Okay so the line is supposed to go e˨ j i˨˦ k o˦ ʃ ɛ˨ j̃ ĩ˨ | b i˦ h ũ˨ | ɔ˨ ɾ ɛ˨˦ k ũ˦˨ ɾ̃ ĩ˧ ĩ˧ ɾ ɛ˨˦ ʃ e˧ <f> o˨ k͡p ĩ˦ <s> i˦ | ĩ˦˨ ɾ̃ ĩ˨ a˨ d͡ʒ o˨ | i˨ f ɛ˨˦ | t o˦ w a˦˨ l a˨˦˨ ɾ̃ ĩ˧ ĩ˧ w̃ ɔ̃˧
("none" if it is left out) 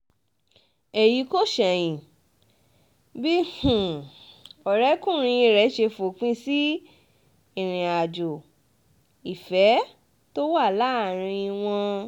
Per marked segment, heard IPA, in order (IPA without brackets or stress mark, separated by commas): f, s